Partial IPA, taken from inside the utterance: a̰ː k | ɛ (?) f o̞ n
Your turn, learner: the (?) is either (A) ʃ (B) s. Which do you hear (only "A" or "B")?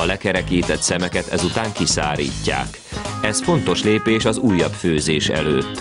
B